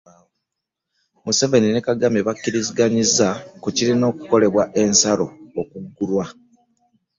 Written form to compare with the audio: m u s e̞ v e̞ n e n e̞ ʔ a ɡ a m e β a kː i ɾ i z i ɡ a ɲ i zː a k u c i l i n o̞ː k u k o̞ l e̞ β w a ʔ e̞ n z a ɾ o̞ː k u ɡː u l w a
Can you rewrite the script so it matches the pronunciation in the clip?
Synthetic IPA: m u s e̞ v e̞ n i n e̞ k a ɡ a m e β a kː i ɾ i z i ɡ a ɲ i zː a k u c i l i n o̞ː k u k o̞ l e̞ β w a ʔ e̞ n s a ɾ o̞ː k u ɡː u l w a

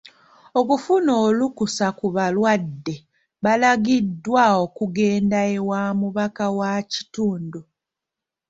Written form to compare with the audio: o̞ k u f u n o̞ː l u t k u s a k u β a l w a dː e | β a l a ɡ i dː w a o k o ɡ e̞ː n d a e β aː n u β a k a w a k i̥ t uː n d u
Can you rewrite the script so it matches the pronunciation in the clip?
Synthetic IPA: o̞ k u f u n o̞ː l u k u s a k u β a l w a dː e | β a l a ɡ i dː w a o k u ɡ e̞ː n d a e w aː m u β a k a w a c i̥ t uː n d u

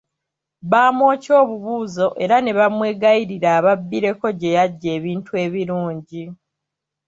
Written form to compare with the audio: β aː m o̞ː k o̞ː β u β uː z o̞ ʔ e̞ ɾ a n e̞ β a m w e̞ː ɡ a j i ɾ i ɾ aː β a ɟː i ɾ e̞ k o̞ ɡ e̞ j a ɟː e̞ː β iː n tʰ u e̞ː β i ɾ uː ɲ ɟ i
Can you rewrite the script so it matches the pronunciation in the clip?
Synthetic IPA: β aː m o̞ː c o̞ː β u β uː z o̞ ʔ e̞ ɾ a n e̞ β a m w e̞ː ɡ a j i ɾ i ɾ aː β a bː i ɾ e̞ k o̞ ɟ e̞ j a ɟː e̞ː β iː n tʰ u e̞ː β i ɾ uː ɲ ɟ i

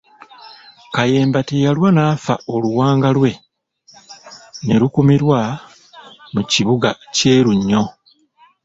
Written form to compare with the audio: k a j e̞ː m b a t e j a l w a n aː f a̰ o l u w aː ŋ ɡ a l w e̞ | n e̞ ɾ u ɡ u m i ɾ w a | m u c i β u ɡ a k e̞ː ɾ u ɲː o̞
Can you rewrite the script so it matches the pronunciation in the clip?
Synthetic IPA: k a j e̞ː m b a t e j a l w a n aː f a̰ o l u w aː ŋ ɡ a l w e̞ | n e̞ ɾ u k u m i ɾ w a | m u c i β u ɡ a c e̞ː ɾ u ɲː o̞

